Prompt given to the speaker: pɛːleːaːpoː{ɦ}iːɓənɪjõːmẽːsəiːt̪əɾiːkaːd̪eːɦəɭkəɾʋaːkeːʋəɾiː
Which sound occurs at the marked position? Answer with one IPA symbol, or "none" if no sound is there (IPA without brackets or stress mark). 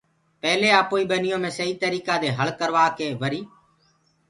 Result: none